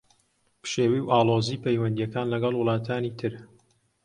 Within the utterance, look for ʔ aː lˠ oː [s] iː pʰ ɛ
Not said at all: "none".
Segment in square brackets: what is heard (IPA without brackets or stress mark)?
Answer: z